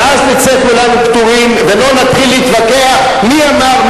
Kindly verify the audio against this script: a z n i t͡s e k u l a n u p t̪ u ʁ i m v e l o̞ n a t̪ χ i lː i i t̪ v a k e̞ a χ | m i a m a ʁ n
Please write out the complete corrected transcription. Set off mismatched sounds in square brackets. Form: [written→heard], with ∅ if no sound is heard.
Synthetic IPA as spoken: a z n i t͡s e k u l a n u p t̪ u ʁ i m v e l o̞ n a t̪ χ i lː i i t̪ v a k e̞ a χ | m i a m a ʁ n